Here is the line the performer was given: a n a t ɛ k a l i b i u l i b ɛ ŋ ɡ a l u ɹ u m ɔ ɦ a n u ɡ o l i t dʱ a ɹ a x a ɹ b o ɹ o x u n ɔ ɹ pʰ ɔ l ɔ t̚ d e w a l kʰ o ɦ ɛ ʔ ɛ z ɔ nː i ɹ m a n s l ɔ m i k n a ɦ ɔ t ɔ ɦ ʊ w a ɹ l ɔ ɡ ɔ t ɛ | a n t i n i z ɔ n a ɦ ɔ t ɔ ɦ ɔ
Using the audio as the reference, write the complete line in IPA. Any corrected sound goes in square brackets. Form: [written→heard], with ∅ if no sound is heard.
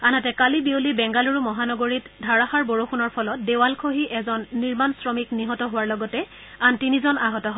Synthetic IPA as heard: a n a t ɛ k a l i b i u l i b ɛ ŋ ɡ a l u ɹ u m ɔ ɦ a n [u→ɔ] ɡ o [l→ɹ] i t dʱ a ɹ a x a ɹ b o ɹ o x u n ɔ ɹ pʰ ɔ l ɔ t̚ d e w a l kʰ o ɦ [ɛ→i] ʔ ɛ z ɔ nː i ɹ m a n s [l→ɹ] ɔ m i k n [a→i] ɦ ɔ t ɔ ɦ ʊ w a ɹ l ɔ ɡ ɔ t ɛ | a n t i n i z ɔ n a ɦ ɔ t ɔ ɦ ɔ